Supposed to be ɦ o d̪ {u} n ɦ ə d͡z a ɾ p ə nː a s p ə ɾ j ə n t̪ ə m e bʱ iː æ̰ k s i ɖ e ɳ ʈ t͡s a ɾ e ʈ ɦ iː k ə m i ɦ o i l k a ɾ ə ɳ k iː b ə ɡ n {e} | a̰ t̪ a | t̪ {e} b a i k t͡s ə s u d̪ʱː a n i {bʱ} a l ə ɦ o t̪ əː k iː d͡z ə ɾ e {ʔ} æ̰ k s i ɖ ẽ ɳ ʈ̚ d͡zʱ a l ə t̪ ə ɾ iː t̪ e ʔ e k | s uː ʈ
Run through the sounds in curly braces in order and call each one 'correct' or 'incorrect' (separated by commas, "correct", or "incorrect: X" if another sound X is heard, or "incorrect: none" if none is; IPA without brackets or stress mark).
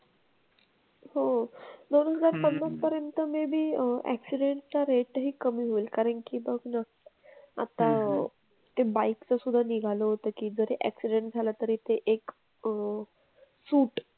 incorrect: o, incorrect: a, correct, incorrect: ɡʱ, correct